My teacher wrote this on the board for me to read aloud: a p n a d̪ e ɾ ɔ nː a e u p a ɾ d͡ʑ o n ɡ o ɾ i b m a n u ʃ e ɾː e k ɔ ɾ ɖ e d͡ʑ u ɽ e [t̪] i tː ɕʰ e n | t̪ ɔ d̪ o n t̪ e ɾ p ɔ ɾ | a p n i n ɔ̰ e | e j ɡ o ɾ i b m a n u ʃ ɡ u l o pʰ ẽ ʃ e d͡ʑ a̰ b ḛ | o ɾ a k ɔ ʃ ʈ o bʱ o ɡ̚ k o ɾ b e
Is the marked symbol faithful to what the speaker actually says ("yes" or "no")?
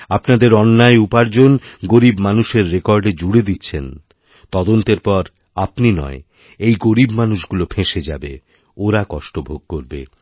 no